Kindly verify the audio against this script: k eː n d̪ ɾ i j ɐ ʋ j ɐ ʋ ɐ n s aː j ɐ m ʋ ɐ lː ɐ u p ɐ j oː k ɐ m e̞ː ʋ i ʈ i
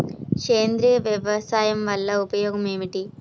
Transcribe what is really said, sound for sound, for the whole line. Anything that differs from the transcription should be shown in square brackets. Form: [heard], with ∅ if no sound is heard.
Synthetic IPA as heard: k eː n d̪ ɾ i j ɐ ʋ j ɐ ʋ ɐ [∅] s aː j ɐ m ʋ ɐ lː ɐ u p ɐ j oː [ɡ] ɐ m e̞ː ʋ i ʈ i